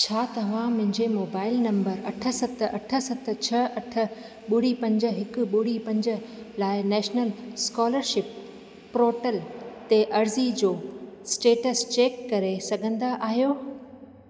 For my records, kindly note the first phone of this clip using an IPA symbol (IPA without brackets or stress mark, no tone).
t͡ɕʰ